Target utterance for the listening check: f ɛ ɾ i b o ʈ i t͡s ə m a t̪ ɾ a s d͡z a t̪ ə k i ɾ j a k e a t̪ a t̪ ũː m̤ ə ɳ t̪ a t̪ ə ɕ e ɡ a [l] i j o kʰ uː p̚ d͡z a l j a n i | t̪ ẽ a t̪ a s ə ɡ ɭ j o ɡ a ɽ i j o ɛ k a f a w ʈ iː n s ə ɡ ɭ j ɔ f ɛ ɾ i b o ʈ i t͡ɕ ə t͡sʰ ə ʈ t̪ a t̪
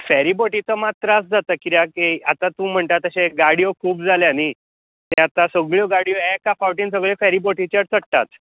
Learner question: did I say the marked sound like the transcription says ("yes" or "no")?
no